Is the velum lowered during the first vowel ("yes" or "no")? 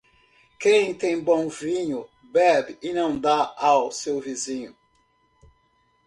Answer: yes